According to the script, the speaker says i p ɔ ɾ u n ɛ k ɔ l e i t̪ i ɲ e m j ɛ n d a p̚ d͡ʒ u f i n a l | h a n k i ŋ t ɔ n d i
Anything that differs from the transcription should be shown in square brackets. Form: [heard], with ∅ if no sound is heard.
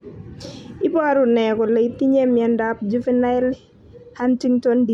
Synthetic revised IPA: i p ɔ ɾ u n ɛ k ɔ l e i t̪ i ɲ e m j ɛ n d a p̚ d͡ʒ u f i n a l | h a n [t] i ŋ t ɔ n d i